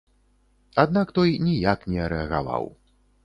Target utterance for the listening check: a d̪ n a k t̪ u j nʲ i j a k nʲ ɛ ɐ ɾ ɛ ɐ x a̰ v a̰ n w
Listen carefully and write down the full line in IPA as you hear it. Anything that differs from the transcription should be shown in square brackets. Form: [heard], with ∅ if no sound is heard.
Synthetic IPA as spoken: a d̪ n a k t̪ [ɔ] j nʲ i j a k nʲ ɛ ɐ ɾ ɛ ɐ [ɣ] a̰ v a̰ [∅] w